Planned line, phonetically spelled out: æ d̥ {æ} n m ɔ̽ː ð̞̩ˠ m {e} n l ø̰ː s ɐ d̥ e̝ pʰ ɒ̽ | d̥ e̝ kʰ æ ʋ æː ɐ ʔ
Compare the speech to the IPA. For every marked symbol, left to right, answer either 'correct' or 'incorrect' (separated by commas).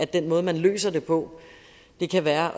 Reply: incorrect, incorrect